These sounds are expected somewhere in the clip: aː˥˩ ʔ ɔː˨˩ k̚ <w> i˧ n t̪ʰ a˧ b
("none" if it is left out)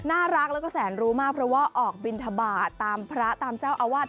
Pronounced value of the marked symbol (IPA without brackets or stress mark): b